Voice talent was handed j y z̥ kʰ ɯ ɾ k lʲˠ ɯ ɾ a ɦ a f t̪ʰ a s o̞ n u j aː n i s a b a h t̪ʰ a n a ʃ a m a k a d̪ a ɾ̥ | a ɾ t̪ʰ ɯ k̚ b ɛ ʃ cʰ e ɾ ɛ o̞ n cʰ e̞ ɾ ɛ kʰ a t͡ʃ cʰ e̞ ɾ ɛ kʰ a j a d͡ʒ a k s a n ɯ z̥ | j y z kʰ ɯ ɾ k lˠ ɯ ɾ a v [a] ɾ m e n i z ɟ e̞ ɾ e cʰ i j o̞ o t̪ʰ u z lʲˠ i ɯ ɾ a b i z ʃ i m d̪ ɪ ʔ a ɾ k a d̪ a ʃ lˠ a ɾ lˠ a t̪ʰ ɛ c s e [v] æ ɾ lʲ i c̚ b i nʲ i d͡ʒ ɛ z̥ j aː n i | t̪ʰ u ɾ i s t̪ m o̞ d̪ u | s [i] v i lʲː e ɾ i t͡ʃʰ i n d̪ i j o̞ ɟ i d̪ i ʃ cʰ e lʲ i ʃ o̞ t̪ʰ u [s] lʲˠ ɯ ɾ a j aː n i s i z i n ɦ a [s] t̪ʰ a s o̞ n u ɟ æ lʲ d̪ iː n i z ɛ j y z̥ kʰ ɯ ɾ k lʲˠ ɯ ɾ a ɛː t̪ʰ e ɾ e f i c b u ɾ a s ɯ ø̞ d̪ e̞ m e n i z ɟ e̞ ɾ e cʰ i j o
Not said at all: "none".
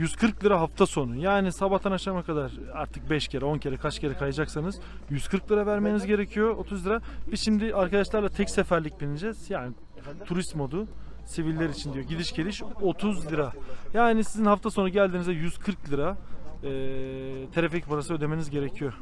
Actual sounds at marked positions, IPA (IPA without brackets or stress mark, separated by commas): æ, f, i, z, f